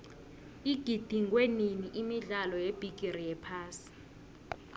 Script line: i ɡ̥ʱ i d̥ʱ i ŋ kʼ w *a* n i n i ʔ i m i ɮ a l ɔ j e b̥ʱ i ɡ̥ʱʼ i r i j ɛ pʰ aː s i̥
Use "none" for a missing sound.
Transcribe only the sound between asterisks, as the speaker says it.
e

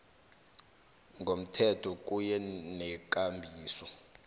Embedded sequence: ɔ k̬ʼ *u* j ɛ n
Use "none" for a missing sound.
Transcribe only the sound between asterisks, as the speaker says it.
u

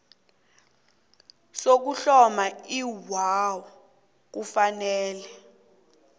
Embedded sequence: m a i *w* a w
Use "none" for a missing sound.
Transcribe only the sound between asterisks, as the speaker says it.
w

